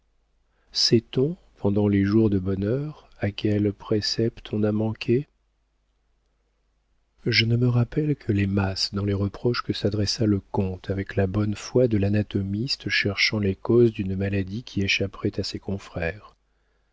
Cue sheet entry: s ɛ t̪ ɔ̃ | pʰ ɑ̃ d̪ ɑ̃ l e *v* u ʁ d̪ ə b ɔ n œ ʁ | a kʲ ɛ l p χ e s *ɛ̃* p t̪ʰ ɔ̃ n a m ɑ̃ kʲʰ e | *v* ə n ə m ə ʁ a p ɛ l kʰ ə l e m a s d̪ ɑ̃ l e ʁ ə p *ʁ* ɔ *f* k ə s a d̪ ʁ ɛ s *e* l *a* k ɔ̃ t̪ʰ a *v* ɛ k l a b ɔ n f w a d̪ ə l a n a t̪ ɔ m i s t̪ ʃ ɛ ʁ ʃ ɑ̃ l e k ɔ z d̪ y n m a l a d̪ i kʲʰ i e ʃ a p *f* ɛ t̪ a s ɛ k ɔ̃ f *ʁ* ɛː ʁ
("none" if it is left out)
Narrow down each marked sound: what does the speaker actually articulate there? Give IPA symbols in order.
ʒ, ɛ, ʒ, χ, ʃ, a, ə, v, χ, χ

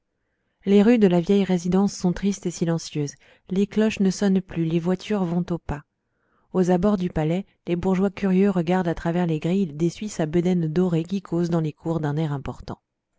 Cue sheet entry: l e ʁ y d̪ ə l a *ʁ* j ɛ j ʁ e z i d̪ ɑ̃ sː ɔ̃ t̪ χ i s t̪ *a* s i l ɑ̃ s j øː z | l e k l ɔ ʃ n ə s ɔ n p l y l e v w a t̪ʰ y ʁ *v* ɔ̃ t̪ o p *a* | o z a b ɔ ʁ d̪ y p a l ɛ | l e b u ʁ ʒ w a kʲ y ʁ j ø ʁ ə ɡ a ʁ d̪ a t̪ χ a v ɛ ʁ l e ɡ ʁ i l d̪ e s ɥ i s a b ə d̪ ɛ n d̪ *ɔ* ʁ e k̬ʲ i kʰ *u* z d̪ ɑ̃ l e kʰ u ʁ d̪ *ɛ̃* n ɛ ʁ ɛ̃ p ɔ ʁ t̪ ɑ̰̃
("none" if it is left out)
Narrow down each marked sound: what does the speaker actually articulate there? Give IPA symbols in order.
v, e, v, a, ɔ, o, ɛ̃

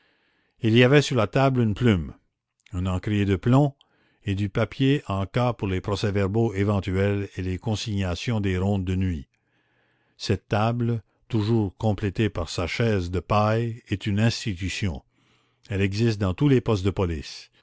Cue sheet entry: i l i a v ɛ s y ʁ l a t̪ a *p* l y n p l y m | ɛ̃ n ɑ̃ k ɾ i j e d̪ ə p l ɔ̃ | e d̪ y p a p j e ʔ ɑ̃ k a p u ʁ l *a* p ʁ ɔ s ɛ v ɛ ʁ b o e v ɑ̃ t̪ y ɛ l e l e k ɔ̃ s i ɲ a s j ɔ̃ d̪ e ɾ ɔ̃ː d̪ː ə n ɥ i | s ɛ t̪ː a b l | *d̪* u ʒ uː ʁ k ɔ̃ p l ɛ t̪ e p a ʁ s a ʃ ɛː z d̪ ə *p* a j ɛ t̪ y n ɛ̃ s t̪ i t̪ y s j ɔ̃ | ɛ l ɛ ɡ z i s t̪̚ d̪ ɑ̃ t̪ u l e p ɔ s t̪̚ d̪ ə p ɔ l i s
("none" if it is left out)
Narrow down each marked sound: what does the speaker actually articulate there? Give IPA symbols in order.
b, e, t̪, p

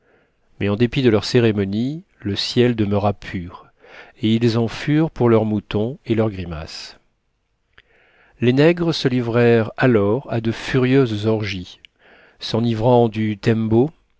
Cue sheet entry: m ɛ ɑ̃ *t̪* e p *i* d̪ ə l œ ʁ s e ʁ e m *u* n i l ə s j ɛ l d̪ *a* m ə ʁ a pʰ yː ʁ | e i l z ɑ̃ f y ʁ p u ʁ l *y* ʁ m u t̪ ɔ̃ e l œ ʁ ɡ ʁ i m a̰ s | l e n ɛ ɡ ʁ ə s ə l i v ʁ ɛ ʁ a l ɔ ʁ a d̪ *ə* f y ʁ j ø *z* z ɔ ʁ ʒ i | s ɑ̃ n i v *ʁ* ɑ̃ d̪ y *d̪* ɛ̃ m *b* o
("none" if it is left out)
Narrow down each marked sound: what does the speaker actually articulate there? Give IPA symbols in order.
d̪, i, ɔ, ə, œ, ə, z, ʁ, t̪, b

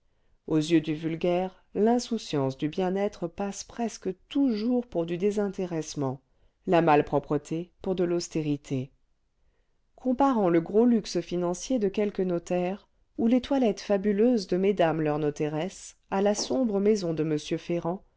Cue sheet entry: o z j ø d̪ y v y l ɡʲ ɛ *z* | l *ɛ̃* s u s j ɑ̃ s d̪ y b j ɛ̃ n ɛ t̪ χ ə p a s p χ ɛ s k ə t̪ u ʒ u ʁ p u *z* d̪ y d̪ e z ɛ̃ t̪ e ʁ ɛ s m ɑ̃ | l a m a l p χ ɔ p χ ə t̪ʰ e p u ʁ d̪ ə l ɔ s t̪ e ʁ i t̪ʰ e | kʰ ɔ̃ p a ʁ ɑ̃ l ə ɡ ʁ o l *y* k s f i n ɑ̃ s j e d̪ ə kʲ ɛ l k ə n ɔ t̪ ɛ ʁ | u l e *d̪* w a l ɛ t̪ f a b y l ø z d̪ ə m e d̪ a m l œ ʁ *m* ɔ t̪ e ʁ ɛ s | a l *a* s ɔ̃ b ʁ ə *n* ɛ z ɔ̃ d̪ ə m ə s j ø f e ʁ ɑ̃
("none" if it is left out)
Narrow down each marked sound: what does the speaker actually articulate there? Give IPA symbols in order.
ʁ, ɛ̃, ʁ, y, t̪, n, a, m

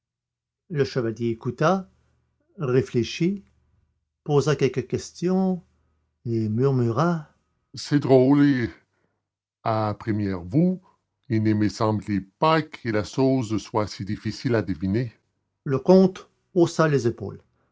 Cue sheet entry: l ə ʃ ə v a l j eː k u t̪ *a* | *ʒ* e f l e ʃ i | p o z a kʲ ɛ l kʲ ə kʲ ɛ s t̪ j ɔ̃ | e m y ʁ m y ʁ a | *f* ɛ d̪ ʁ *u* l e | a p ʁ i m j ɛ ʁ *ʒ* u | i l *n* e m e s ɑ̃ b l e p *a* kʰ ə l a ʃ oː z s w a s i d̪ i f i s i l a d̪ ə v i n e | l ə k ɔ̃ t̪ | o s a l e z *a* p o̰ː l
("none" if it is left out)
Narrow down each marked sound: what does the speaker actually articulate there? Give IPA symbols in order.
a, ʁ, s, o, v, n, a, e

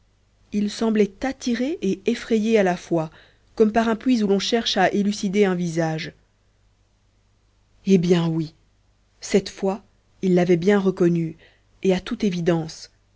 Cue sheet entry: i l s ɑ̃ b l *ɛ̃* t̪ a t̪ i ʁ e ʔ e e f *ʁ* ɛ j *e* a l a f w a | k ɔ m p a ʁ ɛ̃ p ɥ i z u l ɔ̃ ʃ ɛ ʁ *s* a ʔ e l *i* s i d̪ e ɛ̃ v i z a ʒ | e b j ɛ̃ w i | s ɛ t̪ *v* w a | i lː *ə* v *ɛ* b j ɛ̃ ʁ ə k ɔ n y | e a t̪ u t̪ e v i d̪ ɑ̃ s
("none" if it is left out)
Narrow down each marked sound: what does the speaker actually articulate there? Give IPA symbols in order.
ɛ, χ, e, ʃ, y, f, a, ɛ

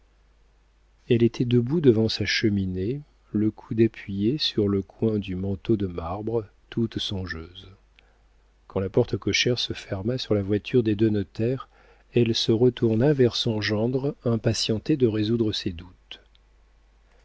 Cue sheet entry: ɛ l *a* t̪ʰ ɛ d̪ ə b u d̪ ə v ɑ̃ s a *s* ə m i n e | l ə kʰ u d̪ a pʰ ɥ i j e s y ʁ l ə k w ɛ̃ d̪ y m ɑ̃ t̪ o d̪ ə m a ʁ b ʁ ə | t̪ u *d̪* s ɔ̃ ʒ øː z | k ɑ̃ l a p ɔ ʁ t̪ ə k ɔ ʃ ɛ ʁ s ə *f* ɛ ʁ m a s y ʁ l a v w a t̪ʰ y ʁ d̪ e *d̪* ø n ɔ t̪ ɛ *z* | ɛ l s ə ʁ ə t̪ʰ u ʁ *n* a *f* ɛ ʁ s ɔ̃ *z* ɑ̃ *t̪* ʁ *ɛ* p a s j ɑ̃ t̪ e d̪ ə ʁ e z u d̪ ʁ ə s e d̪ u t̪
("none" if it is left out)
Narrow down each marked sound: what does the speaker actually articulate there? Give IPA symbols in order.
e, ʃ, t̪, f, d̪, ʁ, n, v, ʒ, d̪, ɛ̃

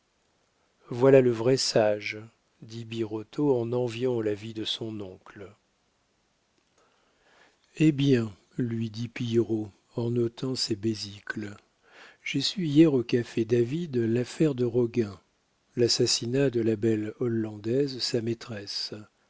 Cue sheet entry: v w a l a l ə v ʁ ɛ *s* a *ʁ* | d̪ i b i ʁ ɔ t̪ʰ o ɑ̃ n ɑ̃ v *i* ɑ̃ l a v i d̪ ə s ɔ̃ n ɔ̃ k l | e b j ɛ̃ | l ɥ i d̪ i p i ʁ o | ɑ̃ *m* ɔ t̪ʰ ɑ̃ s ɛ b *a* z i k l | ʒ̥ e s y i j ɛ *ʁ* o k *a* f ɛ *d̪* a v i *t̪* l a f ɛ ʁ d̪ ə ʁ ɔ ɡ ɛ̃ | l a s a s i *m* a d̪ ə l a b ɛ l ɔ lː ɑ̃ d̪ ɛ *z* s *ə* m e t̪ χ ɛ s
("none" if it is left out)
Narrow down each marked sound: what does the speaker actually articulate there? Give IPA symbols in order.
s, ʒ, j, n, e, ʁ, a, d̪, d̪, n, z, a

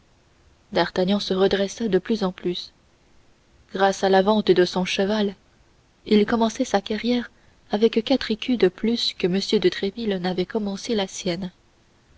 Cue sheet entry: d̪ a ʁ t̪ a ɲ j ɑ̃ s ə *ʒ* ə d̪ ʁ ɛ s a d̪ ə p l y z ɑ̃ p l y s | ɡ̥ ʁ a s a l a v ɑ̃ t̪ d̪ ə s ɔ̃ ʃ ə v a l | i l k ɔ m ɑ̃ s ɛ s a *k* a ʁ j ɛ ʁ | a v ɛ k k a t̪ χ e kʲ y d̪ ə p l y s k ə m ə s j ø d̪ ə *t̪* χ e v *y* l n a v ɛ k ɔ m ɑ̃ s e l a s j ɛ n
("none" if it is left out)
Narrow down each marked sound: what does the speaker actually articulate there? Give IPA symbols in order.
ʁ, k, t̪, i

